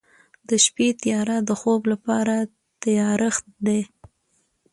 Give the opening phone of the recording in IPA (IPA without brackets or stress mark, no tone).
d̪